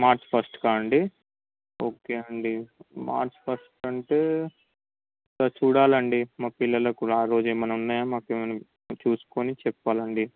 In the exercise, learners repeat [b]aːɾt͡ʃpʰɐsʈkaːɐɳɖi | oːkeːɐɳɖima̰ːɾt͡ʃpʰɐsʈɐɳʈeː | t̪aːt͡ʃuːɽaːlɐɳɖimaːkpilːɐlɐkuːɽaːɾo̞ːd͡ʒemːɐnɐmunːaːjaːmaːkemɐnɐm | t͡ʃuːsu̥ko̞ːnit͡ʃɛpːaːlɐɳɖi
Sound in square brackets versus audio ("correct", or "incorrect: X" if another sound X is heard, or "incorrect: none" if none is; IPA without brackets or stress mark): incorrect: m